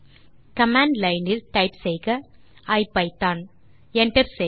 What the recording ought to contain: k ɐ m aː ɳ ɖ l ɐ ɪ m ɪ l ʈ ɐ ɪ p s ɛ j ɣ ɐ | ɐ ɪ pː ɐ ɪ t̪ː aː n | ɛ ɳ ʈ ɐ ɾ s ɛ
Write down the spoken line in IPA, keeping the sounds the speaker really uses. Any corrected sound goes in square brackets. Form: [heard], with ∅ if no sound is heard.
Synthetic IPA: k ɐ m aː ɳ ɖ l ɐ ɪ [n] ɪ l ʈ ɐ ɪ p s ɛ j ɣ ɐ | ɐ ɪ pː ɐ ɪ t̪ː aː n | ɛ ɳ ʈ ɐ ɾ s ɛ

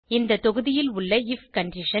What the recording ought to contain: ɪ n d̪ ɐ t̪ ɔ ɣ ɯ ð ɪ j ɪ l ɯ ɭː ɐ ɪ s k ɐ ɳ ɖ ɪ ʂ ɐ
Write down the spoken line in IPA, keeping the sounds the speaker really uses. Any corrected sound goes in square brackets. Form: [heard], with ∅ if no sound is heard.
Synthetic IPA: ɪ n d̪ ɐ t̪ ɔ ɣ ɯ ð ɪ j ɪ l [ʊ] ɭː ɐ ɪ [f] k ɐ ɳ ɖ ɪ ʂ ɐ

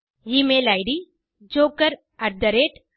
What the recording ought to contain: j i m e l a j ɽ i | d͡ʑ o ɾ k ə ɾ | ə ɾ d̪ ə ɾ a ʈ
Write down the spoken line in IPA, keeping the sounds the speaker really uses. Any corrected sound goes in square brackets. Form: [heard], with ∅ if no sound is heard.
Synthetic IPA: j i m e l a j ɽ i | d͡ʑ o [∅] k ə ɾ | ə ɾ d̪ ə ɾ [e] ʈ

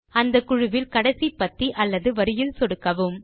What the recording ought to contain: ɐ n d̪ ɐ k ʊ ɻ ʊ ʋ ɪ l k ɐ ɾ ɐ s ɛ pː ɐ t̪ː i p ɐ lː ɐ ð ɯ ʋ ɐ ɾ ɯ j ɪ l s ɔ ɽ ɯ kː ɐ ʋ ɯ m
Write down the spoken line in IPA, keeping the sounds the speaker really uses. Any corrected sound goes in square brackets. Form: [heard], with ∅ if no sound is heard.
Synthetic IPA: ɐ n d̪ ɐ k ʊ ɻ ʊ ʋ ɪ l k ɐ [ɽ] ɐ s [i] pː ɐ t̪ː i [ʔ] ɐ lː ɐ ð ɯ ʋ ɐ ɾ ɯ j ɪ l s ɔ ɽ ɯ kː ɐ ʋ ɯ m

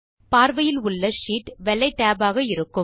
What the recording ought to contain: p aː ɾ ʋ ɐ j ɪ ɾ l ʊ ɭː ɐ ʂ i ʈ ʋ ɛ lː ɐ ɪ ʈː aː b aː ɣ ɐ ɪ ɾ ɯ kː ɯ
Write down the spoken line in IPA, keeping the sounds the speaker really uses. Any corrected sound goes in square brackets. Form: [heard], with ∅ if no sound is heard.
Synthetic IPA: p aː ɾ ʋ ɐ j ɪ [∅] l ʊ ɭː ɐ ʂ [iː] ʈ ʋ ɛ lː ɐ ɪ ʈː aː b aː ɣ ɐ ɪ ɾ ɯ kː ɯ

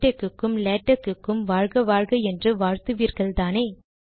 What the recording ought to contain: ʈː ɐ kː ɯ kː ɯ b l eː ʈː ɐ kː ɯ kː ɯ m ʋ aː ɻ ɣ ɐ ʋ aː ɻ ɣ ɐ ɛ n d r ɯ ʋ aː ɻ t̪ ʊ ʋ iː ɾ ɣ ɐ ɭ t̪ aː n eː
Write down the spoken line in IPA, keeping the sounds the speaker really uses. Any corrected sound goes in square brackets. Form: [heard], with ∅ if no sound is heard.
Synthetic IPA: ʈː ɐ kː ɯ kː ɯ [m] l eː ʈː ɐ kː ɯ kː ɯ m ʋ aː ɻ ɣ ɐ ʋ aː ɻ ɣ ɐ ɛ n d r ɯ ʋ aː ɻ t̪ [ɯ] ʋ iː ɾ ɣ ɐ ɭ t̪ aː n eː

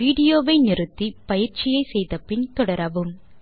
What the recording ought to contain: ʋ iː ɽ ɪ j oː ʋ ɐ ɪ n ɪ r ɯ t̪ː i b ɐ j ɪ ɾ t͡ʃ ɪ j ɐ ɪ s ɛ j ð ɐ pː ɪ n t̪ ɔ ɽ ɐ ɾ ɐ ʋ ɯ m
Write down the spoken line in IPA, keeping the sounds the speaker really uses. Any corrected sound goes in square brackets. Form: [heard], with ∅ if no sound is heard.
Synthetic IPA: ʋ iː ɽ ɪ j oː ʋ ɐ ɪ n ɪ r ɯ t̪ː i [p] ɐ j ɪ ɾ t͡ʃ ɪ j ɐ ɪ s ɛ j ð ɐ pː ɪ n t̪ ɔ ɽ ɐ ɾ ɐ ʋ ɯ m

